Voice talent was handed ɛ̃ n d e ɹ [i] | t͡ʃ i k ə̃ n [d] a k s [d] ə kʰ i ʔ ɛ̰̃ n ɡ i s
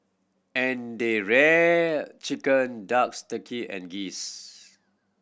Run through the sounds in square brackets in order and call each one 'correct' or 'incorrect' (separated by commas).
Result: incorrect, correct, incorrect